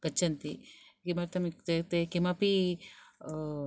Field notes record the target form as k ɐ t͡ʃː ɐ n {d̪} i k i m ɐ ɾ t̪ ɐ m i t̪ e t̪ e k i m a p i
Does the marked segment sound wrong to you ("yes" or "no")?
yes